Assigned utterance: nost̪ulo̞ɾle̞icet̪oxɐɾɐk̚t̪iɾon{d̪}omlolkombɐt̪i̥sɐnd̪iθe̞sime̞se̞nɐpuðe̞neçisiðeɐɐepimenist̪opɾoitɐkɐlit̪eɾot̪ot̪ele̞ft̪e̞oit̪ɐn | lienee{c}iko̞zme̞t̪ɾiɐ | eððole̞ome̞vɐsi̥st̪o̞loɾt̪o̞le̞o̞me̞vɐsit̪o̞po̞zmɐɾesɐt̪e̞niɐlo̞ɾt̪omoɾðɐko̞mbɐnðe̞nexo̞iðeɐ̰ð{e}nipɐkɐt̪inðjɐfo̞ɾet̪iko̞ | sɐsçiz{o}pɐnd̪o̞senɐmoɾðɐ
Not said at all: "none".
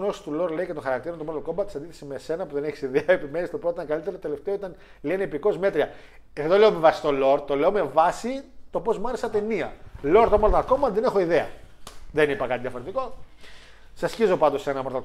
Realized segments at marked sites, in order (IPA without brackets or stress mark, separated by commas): t̪, p, e, o